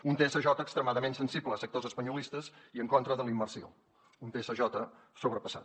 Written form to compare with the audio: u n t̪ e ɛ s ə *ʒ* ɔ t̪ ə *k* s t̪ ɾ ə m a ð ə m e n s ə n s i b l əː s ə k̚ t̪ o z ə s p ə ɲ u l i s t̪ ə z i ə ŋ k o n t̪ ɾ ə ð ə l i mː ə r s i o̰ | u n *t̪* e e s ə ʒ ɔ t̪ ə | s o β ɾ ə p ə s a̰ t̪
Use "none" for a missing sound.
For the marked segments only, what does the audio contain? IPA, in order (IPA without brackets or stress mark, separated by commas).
ʒ, k, t̪